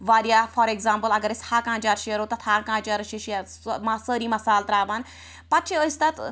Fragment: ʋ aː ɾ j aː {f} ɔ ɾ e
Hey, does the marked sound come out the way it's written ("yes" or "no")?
yes